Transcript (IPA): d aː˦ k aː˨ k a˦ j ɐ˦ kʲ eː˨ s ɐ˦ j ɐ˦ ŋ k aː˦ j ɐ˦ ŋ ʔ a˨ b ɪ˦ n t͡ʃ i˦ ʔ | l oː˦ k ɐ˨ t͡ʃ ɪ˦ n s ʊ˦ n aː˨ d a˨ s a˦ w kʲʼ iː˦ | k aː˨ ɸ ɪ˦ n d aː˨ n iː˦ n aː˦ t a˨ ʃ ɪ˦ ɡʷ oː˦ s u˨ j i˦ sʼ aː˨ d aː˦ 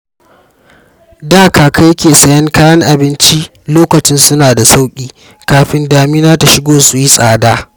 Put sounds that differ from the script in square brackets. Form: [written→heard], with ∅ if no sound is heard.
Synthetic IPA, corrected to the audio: d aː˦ k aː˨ k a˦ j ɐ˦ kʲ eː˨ s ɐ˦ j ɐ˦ ŋ k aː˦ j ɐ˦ ŋ ʔ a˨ b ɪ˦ n t͡ʃ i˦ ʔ | l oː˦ k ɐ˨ t͡ʃ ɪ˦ n s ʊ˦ n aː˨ d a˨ s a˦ w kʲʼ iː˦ | k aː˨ ɸ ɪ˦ n d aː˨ [n→m] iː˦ n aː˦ t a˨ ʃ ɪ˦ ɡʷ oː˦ s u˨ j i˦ sʼ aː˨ d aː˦